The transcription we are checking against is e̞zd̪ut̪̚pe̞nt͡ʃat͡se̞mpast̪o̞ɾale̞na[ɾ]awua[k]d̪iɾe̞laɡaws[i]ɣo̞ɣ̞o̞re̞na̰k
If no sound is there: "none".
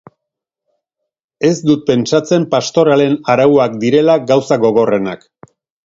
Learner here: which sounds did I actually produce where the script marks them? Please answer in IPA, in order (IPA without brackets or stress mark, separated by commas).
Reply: ɾ, k, a